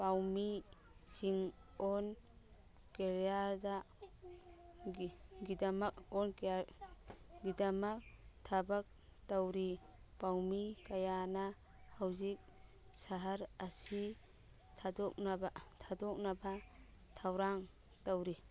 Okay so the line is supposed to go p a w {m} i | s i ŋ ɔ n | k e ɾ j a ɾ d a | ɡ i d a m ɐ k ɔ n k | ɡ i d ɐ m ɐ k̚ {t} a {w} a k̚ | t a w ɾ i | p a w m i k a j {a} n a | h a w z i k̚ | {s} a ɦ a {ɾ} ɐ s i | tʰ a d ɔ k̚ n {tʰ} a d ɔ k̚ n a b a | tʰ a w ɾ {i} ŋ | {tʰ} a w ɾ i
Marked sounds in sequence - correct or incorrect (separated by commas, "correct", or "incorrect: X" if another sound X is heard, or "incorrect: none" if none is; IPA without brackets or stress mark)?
correct, incorrect: tʰ, incorrect: b, correct, correct, correct, correct, incorrect: a, incorrect: t